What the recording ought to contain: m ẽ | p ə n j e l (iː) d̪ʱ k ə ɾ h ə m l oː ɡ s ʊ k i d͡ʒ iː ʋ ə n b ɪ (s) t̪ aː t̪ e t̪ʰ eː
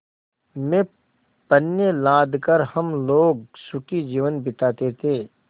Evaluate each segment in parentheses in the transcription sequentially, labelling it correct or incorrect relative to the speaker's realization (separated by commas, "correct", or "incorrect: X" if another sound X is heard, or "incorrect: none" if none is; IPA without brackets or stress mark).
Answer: incorrect: aː, incorrect: none